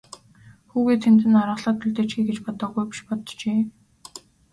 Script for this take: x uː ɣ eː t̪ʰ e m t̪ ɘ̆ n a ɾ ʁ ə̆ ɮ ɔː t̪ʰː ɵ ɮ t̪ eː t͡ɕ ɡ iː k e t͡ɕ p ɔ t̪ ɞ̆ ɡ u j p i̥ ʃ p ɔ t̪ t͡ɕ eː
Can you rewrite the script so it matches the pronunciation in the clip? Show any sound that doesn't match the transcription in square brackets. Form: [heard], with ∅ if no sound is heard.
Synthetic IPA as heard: x uː ɣ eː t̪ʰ e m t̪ ɘ̆ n a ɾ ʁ ə̆ ɮ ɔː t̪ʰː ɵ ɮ t̪ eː t͡ɕ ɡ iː [ɡ] e t͡ɕ p ɔ t̪ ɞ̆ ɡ u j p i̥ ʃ p ɔ t̪ t͡ɕ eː